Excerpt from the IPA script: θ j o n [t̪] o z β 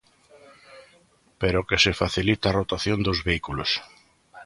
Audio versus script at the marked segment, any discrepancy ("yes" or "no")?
yes